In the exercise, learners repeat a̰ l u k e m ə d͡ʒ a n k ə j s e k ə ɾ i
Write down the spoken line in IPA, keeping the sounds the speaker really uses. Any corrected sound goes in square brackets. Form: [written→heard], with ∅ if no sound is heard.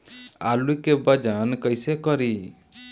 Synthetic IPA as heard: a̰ l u k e [m→b] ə d͡ʒ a n k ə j s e k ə ɾ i